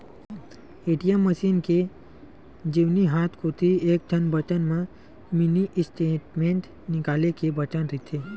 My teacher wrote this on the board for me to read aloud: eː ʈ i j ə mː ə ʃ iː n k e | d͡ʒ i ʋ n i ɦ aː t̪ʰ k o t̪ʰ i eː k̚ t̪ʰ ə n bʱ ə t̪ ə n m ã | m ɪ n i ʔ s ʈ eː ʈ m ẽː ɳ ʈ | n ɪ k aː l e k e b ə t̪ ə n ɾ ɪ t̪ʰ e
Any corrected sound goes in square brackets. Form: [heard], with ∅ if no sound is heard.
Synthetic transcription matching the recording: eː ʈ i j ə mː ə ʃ iː n k e | d͡ʒ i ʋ n i ɦ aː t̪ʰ k o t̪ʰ i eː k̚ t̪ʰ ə n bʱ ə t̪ ə n m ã | m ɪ n i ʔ s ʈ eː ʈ m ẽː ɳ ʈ | n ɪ k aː l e k e b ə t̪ ə n ɾ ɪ t̪ʰ e